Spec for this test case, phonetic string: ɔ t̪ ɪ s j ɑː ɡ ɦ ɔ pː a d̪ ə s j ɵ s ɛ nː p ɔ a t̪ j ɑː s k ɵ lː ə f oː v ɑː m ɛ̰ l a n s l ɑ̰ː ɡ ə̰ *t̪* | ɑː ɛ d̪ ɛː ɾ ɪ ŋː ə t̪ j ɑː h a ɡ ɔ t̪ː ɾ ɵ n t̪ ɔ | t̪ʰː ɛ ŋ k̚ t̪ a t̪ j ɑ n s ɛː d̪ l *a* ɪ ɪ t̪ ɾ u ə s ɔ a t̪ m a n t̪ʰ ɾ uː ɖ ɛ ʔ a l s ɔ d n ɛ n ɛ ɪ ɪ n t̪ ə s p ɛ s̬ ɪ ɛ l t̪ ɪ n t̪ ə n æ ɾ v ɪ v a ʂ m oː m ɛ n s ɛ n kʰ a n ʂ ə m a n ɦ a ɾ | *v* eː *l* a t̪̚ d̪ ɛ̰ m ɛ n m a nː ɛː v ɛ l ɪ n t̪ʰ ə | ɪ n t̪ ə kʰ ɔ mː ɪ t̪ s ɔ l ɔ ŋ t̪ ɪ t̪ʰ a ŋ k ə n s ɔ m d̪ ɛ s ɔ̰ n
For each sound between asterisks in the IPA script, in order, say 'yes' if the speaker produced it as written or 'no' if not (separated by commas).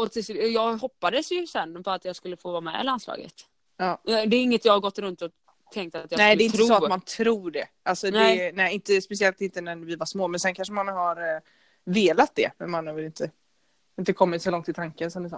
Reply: yes, no, yes, yes